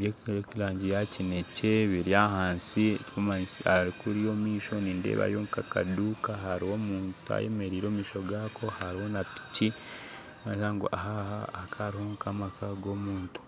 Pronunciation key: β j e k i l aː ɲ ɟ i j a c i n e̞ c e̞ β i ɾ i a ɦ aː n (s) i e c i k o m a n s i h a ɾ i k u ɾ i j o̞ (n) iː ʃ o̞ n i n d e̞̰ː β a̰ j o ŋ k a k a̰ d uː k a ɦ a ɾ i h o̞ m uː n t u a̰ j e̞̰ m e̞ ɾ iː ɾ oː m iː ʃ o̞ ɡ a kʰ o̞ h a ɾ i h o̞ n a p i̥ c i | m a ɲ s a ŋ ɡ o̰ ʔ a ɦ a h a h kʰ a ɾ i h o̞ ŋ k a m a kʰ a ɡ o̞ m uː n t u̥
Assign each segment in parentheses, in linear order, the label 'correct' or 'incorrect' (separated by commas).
correct, incorrect